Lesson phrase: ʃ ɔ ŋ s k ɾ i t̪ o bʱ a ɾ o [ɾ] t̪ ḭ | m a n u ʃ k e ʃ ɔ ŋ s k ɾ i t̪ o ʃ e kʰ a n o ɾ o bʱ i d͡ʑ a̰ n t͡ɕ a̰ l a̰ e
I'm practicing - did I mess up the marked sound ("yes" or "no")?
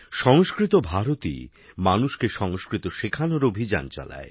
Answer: yes